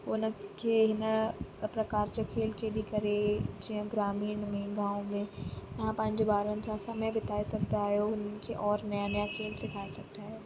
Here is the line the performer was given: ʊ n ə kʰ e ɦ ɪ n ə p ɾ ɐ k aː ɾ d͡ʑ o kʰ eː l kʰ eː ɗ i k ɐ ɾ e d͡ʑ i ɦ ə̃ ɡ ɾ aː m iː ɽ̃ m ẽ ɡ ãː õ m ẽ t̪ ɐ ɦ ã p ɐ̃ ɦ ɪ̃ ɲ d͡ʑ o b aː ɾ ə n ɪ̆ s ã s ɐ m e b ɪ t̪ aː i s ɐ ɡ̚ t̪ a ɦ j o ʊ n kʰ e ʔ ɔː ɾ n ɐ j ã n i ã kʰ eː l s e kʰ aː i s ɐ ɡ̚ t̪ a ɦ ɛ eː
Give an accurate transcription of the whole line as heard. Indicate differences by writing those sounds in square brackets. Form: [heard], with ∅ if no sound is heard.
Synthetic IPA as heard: ʊ n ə kʰ e ɦ ɪ n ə p ɾ ɐ k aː ɾ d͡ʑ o kʰ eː l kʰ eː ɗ i k ɐ ɾ e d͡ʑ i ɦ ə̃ ɡ ɾ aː m iː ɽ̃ m ẽ ɡ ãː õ m ẽ t̪ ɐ ɦ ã p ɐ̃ ɦ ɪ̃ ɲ d͡ʑ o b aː ɾ ə n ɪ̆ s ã s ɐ m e b ɪ t̪ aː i s ɐ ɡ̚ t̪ a ɦ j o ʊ n kʰ e ʔ ɔː ɾ n ɐ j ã n [j] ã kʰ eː l s e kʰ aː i s ɐ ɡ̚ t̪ a ɦ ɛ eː